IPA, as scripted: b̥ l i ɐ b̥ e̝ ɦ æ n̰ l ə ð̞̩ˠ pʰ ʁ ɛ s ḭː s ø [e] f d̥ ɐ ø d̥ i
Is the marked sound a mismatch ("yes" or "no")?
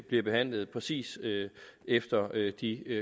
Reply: no